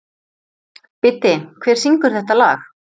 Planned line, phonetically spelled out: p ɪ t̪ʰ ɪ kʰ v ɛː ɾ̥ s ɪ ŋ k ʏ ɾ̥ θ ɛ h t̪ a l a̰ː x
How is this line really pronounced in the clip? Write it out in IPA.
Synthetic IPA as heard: p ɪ t̪ ɪ kʰ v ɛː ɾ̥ s i ŋ k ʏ ɾ̥ θ ɛ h t̪ a l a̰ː x